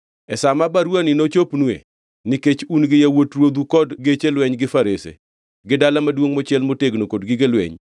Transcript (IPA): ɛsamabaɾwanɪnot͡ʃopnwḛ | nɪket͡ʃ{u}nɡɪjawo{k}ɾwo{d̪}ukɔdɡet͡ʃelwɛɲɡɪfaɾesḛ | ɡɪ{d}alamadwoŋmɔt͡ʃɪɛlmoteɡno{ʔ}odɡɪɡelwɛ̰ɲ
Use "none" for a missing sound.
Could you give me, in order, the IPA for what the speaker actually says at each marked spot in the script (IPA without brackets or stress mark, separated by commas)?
u, t, d̪, d, k